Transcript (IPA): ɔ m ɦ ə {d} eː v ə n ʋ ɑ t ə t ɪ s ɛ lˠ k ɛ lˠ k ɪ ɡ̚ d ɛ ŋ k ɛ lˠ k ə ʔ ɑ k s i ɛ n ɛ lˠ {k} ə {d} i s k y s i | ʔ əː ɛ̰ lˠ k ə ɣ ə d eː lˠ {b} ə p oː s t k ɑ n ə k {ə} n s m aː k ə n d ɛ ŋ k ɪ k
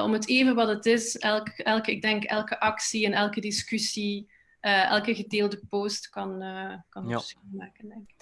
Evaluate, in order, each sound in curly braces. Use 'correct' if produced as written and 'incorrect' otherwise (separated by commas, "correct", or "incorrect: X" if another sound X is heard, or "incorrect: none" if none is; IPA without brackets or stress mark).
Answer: incorrect: t, correct, correct, incorrect: d, incorrect: ɑ